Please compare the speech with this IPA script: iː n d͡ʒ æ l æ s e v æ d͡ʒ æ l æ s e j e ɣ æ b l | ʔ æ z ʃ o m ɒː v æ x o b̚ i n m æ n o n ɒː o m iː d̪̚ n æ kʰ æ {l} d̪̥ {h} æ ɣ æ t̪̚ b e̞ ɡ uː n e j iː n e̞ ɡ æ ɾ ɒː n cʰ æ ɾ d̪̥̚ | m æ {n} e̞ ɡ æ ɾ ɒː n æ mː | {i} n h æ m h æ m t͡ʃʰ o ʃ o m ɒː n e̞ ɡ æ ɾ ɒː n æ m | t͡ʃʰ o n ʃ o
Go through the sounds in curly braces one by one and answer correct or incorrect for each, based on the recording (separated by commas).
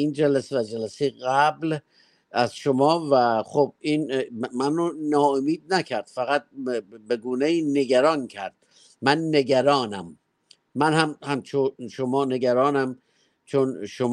incorrect, incorrect, incorrect, incorrect